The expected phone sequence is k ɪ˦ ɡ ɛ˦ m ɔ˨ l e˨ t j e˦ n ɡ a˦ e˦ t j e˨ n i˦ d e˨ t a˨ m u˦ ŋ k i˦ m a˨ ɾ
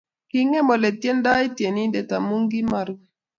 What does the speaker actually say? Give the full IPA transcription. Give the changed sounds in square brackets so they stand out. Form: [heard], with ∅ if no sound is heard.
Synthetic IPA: k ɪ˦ [ŋ] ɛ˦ m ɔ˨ l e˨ t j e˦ n [d] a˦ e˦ t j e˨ n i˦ d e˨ t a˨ m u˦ ŋ [ɡ] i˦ m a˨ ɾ